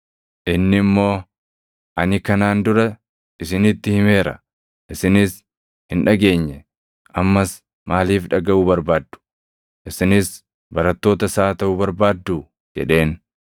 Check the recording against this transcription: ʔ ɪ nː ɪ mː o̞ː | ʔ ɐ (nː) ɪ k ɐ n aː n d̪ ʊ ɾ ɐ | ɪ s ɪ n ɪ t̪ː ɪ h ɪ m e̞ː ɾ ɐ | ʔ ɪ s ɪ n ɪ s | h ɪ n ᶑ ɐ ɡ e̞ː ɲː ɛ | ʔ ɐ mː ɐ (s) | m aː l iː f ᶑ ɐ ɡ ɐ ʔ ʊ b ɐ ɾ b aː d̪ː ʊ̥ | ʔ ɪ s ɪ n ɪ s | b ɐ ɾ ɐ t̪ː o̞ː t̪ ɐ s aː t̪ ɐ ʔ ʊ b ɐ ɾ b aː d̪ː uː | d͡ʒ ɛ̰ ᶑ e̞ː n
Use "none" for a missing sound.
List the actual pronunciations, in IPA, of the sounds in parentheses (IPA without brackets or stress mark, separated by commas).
n, s